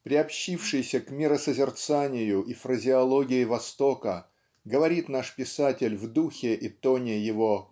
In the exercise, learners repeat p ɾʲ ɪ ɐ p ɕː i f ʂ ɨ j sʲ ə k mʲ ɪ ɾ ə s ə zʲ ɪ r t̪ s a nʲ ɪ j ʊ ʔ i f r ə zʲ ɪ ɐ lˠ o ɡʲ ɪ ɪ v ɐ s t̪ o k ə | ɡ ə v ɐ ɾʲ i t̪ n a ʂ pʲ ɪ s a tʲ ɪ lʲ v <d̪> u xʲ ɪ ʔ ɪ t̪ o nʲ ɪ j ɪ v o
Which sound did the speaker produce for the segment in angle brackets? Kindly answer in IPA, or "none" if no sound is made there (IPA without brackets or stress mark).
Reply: d̪